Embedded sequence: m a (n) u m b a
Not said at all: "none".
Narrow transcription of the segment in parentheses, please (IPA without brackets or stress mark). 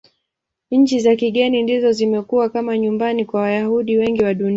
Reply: ɲ